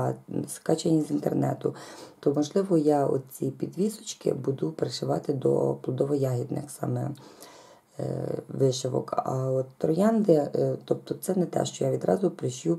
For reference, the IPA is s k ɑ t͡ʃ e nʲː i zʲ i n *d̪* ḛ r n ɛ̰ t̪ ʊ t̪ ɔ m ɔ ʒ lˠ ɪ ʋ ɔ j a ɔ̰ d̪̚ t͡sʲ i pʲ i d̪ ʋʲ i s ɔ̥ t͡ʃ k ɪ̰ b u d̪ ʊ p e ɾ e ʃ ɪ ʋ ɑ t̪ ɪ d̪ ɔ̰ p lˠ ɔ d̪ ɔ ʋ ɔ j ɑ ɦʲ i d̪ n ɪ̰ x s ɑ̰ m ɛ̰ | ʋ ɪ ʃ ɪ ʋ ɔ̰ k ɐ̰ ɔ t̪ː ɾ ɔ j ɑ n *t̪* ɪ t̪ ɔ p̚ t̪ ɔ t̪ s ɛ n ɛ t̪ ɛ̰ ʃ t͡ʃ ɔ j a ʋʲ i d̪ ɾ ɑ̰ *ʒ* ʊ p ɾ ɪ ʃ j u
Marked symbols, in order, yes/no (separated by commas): no, no, no